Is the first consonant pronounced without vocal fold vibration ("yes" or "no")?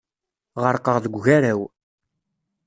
no